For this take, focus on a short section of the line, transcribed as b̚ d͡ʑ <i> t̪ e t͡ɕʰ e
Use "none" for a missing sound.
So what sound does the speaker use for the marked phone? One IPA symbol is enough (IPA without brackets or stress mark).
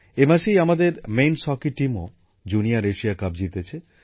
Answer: i